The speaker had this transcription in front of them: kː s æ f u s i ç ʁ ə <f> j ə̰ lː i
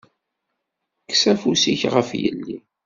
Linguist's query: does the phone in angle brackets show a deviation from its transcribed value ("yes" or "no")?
no